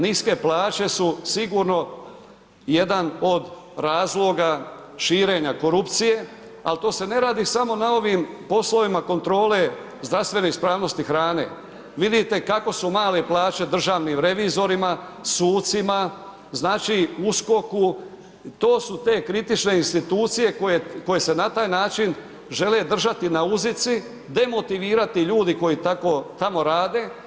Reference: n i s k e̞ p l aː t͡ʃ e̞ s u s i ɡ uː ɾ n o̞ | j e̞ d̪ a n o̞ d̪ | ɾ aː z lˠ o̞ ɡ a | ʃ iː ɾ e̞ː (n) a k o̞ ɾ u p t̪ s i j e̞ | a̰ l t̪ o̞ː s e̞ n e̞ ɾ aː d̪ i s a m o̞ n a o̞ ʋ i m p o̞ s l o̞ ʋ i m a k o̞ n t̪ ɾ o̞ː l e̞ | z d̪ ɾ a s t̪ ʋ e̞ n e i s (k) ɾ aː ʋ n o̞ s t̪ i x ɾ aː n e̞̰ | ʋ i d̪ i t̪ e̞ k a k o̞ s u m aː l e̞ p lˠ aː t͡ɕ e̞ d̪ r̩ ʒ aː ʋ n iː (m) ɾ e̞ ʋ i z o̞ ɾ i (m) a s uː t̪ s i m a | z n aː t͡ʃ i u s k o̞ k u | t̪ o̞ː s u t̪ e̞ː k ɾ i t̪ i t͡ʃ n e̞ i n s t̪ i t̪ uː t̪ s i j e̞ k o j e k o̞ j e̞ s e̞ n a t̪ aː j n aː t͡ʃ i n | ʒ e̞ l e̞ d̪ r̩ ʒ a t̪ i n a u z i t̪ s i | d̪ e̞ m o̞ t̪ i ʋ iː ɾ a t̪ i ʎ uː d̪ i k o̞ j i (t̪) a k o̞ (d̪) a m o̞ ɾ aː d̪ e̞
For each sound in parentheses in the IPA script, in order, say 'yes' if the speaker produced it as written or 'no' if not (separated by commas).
no, no, yes, yes, yes, no